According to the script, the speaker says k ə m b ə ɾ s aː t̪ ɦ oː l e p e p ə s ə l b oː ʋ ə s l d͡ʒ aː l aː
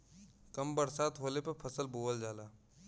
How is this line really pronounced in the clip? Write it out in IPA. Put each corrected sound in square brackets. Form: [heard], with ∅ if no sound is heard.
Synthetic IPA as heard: k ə m b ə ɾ s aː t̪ ɦ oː l e p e [pʰ] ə s ə l b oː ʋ ə [∅] l d͡ʒ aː l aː